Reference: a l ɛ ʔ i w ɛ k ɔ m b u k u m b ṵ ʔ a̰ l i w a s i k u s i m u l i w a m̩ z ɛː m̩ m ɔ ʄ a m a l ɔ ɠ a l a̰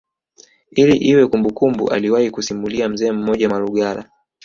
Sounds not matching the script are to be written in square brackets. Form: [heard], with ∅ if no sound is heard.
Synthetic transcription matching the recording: [i] l [i] ʔ i w ɛ k [u] m b u k u m b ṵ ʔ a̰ l i w a [h] i k u s i m u l i [∅] a m̩ z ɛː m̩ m ɔ ʄ a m a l [u] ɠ a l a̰